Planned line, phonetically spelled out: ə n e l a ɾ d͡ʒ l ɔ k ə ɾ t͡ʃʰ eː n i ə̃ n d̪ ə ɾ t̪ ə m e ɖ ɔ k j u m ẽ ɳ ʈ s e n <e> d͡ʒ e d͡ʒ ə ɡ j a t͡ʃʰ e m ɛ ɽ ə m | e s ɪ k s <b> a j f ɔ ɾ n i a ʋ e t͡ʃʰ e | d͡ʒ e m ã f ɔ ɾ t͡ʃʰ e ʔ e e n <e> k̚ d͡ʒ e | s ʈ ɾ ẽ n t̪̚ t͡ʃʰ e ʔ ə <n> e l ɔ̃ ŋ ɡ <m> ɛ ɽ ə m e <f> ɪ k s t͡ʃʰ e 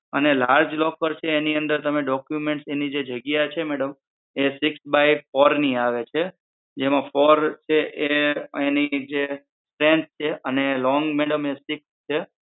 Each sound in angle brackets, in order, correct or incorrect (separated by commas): incorrect, correct, incorrect, correct, correct, incorrect